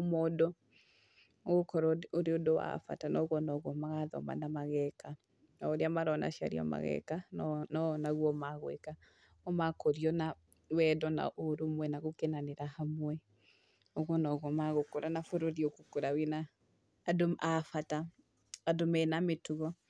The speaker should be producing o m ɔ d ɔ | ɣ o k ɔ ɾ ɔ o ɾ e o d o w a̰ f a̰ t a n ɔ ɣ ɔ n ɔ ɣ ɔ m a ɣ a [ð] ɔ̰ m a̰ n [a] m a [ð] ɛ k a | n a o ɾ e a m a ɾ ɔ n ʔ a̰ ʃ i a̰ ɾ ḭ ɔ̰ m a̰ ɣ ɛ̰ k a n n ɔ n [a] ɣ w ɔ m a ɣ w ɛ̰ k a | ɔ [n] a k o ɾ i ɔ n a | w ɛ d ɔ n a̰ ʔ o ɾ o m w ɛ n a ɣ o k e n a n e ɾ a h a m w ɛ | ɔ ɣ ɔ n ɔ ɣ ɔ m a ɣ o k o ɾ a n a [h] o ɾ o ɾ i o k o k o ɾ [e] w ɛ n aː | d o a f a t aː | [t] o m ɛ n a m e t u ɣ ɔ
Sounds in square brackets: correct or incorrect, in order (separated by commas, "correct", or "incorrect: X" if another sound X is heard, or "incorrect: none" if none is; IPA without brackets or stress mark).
correct, correct, incorrect: ɣ, correct, incorrect: m, incorrect: f, incorrect: a, incorrect: d